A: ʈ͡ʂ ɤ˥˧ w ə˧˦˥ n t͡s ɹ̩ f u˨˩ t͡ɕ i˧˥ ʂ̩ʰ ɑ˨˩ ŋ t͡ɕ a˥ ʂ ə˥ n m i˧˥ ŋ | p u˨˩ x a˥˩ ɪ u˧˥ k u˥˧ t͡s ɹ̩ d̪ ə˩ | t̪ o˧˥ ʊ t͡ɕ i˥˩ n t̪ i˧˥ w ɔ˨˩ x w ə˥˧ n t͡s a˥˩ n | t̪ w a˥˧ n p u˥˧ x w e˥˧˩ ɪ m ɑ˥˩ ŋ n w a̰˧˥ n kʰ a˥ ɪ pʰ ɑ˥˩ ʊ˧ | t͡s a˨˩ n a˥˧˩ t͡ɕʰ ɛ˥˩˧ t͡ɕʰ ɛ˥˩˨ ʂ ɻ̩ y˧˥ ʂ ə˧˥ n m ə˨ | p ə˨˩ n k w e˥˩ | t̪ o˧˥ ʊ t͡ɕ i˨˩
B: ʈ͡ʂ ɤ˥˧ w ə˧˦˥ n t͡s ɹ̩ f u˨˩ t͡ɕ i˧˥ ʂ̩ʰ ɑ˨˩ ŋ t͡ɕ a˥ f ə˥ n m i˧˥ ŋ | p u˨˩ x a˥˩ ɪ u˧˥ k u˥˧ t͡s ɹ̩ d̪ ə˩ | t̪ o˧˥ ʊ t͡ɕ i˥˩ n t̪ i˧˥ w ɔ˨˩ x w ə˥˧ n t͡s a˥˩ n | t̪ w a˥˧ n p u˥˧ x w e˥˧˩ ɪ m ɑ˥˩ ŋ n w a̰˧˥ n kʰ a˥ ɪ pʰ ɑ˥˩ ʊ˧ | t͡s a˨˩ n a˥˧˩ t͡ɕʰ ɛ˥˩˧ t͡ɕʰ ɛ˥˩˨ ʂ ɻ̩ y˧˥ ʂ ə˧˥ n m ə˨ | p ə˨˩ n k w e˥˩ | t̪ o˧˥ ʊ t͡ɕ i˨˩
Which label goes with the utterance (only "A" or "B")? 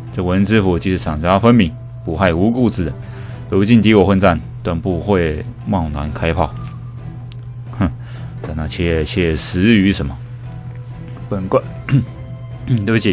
B